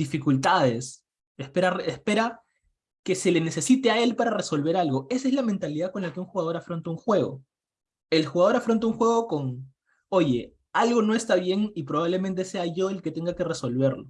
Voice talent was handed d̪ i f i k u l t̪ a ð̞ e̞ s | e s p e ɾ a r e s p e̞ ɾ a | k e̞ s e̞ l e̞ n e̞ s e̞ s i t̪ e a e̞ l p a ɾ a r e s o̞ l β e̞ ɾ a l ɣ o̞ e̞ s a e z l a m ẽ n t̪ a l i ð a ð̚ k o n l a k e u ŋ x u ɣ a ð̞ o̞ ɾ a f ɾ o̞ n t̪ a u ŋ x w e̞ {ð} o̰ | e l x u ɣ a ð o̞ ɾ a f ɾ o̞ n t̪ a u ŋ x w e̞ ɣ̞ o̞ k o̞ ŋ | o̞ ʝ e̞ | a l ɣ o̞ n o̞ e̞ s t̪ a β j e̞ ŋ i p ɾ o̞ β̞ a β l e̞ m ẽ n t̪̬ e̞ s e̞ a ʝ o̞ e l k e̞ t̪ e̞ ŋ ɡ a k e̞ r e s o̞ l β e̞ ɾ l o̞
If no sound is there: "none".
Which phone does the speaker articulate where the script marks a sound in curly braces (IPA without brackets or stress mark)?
ɣ